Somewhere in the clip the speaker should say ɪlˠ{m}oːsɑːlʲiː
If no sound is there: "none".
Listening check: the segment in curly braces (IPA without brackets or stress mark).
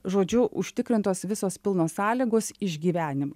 n